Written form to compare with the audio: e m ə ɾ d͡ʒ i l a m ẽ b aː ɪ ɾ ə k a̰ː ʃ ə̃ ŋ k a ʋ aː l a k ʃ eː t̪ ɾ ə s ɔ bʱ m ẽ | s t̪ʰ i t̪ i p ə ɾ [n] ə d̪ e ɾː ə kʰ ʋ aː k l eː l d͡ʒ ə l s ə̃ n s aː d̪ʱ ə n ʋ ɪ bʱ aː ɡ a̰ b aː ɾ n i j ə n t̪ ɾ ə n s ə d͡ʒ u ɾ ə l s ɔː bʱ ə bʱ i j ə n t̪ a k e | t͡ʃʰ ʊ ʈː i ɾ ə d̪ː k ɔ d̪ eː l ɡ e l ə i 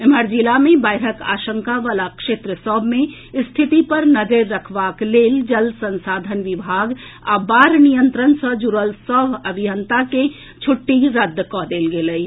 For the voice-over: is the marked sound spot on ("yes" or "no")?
yes